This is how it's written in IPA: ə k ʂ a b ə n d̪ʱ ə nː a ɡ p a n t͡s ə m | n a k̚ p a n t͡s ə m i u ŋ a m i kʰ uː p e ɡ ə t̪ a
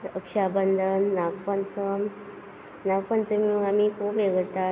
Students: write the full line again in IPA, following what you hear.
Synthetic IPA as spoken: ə k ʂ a b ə n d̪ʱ ə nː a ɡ p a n t͡s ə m | n a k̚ p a n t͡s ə m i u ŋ a m i kʰ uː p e ɡ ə t̪ a